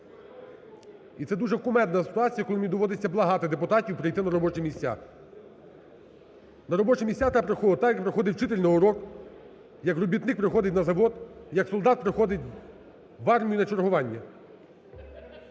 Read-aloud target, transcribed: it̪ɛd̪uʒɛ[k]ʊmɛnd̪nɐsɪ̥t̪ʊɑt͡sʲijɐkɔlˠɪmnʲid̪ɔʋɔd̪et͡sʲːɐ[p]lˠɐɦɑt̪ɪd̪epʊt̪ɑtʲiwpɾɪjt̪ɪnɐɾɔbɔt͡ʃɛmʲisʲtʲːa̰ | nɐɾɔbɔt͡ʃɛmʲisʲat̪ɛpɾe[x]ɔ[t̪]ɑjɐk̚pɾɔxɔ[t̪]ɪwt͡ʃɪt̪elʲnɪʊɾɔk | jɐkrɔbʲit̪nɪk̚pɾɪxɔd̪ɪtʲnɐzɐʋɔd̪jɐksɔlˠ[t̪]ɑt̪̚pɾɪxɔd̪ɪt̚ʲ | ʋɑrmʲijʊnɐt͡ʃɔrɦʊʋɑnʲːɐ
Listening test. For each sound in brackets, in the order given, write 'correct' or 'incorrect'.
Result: correct, incorrect: b, correct, correct, incorrect: d̪, incorrect: d̪

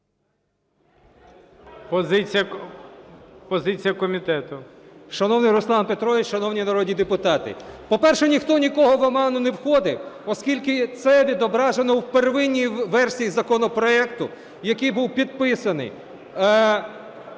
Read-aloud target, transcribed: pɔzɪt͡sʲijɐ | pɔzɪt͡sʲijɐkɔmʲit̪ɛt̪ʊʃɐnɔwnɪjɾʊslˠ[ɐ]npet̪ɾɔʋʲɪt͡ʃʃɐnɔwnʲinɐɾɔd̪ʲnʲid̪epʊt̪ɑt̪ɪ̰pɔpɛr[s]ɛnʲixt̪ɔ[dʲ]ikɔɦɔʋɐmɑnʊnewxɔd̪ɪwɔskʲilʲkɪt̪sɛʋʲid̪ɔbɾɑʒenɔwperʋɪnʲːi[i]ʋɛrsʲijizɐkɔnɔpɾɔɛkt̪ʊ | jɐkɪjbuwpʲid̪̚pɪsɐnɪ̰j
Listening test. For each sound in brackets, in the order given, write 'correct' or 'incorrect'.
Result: incorrect: ɑ, incorrect: ʃ, incorrect: nʲ, incorrect: j

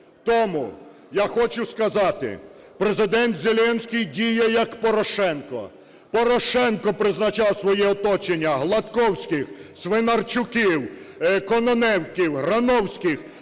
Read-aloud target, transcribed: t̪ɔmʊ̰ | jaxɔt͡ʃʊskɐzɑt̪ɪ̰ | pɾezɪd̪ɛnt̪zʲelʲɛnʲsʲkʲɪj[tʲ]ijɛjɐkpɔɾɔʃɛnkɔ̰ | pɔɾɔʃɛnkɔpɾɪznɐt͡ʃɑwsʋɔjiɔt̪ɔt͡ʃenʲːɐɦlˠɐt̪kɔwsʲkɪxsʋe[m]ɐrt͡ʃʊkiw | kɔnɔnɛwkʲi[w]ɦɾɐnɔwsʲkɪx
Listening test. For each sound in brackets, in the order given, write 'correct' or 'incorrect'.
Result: incorrect: dʲ, incorrect: n, correct

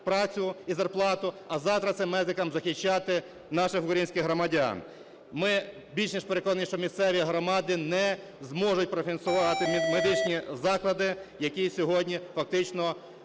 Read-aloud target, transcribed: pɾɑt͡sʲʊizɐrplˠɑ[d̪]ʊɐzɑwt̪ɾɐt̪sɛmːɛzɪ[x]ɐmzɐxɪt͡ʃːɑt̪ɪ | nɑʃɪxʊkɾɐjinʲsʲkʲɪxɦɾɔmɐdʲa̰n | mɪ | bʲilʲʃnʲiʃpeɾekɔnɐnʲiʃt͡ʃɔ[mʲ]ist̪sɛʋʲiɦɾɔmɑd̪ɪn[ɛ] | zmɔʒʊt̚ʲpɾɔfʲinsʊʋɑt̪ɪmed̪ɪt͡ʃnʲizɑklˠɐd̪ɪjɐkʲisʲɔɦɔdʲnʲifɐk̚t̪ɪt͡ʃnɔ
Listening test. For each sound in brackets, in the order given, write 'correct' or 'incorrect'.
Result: incorrect: t̪, incorrect: k, correct, correct

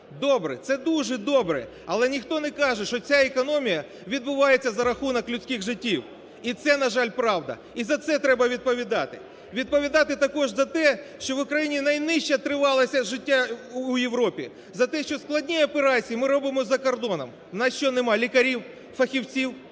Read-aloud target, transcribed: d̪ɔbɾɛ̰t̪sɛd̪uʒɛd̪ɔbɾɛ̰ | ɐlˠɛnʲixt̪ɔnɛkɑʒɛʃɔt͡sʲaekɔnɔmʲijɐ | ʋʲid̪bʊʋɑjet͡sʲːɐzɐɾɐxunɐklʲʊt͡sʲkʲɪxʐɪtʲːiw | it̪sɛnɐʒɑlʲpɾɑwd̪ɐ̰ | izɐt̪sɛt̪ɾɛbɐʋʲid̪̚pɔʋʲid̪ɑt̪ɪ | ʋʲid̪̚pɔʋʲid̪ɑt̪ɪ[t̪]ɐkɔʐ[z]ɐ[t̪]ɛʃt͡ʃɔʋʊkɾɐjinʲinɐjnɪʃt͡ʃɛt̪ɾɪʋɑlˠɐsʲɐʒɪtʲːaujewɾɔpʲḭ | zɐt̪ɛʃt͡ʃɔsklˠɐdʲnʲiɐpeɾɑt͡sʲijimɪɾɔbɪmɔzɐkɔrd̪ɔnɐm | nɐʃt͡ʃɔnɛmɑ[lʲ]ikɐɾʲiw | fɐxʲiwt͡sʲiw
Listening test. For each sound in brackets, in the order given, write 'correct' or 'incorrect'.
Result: correct, correct, correct, correct

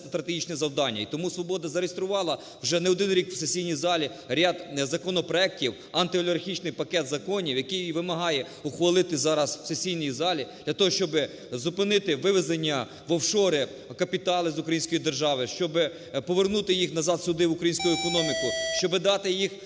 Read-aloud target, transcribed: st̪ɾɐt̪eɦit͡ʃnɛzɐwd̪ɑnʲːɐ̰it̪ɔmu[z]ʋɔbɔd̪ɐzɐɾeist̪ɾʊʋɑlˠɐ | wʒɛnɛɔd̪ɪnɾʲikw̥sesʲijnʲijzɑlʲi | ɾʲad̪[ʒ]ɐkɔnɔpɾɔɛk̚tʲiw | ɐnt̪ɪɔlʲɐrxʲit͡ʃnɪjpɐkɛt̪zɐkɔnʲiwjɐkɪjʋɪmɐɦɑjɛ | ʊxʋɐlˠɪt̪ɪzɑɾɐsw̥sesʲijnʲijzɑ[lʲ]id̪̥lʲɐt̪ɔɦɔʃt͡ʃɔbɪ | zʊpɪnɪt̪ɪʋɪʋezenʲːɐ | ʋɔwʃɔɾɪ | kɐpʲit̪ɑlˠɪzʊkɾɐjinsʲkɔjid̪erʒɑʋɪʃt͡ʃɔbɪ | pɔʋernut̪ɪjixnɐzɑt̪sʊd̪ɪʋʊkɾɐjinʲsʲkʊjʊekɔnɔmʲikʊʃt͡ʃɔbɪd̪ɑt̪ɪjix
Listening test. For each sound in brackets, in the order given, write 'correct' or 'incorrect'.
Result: incorrect: s, incorrect: z, correct

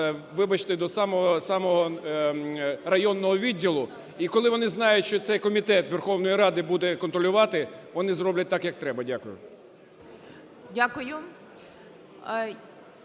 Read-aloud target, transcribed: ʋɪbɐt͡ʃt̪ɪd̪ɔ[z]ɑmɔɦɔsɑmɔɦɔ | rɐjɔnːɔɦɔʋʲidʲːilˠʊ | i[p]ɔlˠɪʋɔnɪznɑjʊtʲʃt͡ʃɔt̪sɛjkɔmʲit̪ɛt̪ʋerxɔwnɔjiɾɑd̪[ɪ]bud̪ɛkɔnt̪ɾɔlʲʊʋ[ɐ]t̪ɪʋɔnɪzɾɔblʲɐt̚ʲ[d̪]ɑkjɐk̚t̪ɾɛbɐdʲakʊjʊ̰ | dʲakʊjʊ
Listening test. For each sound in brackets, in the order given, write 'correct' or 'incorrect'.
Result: incorrect: s, incorrect: k, correct, incorrect: ɑ, incorrect: t̪

